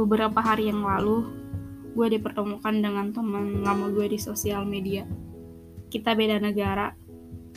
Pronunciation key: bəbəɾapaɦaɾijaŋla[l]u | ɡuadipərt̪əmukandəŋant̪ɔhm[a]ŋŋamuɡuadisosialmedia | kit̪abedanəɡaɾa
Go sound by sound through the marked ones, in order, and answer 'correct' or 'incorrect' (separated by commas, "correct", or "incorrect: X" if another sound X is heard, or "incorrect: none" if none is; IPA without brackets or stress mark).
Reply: correct, incorrect: ə